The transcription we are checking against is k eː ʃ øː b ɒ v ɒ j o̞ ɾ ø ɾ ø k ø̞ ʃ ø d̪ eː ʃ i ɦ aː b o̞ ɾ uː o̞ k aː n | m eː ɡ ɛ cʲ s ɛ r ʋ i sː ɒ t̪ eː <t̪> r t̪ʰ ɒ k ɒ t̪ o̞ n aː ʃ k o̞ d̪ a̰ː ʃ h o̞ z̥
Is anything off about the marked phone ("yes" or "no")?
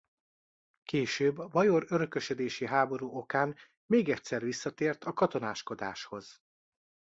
yes